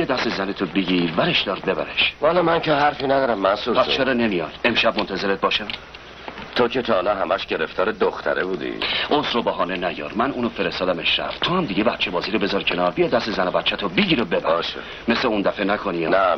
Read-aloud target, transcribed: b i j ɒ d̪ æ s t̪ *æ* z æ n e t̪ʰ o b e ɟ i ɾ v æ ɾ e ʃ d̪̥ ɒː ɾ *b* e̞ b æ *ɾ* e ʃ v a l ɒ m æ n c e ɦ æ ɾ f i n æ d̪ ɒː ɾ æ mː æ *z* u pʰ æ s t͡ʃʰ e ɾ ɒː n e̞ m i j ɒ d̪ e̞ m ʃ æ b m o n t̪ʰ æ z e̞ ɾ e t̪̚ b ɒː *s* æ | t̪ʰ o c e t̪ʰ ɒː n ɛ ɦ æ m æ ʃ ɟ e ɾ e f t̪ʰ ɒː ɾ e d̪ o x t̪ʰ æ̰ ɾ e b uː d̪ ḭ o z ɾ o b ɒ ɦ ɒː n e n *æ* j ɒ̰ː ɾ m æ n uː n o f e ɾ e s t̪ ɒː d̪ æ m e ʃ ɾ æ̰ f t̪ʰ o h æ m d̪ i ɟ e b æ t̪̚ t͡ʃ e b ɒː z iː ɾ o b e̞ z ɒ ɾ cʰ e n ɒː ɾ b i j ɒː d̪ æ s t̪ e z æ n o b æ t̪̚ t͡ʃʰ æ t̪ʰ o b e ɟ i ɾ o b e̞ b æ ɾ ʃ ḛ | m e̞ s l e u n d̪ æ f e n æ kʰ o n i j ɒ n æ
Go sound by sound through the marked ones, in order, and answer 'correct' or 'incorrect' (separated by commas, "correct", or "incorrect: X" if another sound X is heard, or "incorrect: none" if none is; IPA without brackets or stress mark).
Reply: incorrect: e, correct, correct, incorrect: s, incorrect: ʃ, correct